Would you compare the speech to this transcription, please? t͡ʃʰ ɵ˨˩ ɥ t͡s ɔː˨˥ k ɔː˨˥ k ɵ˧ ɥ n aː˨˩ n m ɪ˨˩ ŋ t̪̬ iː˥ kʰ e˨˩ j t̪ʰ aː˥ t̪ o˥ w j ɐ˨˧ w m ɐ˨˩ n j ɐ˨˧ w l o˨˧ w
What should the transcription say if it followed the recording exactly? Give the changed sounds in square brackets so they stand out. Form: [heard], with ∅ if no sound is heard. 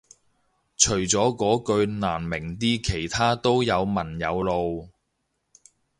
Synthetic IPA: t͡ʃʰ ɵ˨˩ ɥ t͡s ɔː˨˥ k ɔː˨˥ k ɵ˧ ɥ n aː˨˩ n m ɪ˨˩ ŋ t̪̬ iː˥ kʰ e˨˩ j t̪ʰ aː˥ t̪ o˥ w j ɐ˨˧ w m ɐ˨˩ n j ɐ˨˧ w l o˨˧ w